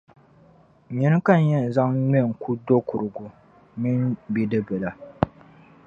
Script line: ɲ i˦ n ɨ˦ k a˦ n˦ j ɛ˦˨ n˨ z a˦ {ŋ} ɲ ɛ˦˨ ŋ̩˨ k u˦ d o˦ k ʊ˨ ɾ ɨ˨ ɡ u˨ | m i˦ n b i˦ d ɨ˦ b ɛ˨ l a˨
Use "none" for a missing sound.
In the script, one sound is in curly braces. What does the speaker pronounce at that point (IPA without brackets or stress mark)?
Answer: ŋ